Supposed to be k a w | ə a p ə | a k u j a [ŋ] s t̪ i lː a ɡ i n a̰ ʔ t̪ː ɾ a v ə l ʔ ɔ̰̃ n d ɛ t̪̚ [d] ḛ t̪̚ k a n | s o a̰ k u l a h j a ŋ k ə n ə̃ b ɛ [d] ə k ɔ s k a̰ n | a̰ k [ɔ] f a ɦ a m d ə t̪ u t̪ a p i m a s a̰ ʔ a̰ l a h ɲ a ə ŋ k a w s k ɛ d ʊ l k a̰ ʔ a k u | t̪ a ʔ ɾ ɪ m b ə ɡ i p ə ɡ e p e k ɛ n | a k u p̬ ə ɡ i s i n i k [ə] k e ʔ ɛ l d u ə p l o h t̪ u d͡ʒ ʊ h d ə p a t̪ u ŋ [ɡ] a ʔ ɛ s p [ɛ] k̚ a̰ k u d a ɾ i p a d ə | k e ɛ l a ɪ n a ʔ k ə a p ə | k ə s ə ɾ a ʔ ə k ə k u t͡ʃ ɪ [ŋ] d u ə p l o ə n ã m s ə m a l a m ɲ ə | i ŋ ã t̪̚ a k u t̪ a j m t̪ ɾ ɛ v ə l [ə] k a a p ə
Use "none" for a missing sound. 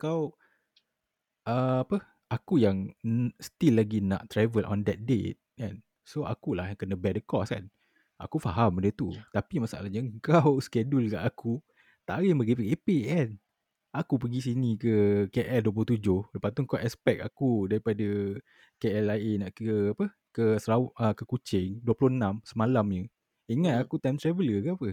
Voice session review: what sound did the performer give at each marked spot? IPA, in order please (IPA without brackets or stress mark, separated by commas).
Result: ŋ, d, d, u, ə, k, ɛ, ŋ, ə